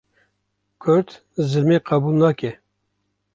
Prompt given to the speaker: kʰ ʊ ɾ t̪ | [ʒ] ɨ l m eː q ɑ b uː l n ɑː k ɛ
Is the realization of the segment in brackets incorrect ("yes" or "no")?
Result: yes